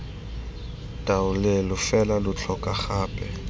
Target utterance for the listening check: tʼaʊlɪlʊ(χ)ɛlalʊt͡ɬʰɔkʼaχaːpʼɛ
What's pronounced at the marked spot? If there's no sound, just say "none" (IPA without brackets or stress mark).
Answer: f